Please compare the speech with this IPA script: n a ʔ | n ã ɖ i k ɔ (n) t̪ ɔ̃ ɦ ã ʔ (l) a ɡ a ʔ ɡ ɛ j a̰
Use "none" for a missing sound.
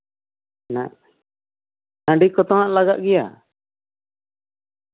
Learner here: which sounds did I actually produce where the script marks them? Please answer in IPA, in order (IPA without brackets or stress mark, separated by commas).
none, l